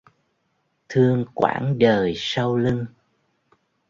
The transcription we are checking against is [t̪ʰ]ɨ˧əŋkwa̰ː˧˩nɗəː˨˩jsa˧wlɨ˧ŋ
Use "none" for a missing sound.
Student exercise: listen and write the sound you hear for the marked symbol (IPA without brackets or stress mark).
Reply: t̪ʰ